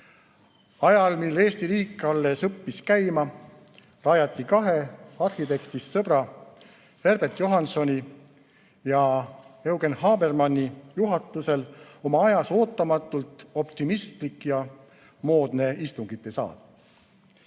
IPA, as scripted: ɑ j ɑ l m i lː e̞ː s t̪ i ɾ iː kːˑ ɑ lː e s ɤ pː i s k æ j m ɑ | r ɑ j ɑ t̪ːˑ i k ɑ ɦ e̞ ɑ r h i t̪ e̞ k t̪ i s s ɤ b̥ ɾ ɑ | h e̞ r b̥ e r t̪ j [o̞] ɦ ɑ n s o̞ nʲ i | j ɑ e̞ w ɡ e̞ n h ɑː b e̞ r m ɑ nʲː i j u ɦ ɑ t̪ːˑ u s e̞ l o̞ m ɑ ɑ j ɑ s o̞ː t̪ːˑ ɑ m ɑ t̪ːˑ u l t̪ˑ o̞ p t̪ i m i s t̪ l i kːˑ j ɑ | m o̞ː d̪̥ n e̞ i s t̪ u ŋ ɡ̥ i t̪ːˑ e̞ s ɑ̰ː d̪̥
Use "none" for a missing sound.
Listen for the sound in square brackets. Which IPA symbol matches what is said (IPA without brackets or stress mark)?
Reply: o̞